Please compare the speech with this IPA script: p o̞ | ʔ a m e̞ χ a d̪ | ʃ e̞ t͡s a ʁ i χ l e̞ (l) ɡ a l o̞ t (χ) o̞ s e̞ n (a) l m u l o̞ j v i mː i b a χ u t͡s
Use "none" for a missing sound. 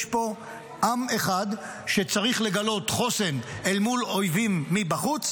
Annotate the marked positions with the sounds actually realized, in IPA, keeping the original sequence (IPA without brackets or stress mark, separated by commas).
none, χ, e